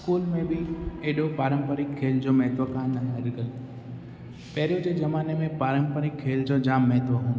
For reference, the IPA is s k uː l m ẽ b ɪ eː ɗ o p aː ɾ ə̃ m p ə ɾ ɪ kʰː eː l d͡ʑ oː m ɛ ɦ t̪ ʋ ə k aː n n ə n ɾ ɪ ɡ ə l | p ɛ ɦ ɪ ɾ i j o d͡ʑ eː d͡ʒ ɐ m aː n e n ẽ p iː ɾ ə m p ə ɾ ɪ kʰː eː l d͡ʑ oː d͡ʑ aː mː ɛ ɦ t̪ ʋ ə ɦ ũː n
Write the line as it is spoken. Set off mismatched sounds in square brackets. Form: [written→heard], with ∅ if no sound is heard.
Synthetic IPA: s k uː l m ẽ b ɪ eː ɗ o p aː ɾ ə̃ m p ə ɾ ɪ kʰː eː l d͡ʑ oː m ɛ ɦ t̪ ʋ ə k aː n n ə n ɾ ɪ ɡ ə l | p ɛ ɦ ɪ ɾ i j o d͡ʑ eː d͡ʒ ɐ m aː n e [n→m] ẽ p [iː→aː] ɾ ə m p ə ɾ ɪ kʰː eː l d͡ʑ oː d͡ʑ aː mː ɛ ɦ t̪ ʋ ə ɦ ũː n